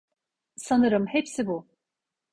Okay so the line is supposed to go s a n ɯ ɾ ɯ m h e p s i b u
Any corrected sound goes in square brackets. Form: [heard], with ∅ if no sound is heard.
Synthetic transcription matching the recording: s a n ɯ ɾ ɯ m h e p s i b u